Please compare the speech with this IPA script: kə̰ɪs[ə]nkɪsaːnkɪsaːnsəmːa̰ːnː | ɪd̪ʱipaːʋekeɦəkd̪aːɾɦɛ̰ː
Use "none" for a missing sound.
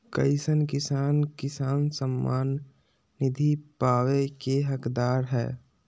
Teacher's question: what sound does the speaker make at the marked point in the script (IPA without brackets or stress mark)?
ə